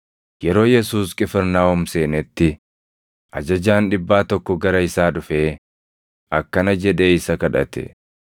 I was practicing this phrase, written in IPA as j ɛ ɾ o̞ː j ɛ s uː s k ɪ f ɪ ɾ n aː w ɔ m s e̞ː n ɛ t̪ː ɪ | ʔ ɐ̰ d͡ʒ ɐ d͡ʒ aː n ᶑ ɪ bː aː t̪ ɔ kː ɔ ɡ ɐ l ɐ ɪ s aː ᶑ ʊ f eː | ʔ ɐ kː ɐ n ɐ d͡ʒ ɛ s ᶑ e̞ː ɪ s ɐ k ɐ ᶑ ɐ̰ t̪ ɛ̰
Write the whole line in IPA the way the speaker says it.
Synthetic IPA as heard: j ɛ ɾ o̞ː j ɛ s uː s kʼ ɪ f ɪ ɾ n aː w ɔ m s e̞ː n ɛ t̪ː ɪ | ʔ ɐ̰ d͡ʒ ɐ d͡ʒ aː n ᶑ ɪ bː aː t̪ ɔ kː ɔ ɡ ɐ ɾ ɐ ɪ s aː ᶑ ʊ f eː | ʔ ɐ kː ɐ n ɐ d͡ʒ ɛ ᶑ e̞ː ɪ s ɐ k ɐ ᶑ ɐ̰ t̪ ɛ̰